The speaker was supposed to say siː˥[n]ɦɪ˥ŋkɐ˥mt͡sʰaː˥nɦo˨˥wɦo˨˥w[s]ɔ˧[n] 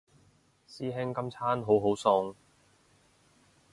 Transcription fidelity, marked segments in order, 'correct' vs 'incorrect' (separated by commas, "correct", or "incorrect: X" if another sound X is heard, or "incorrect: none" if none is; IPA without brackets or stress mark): incorrect: none, correct, incorrect: ŋ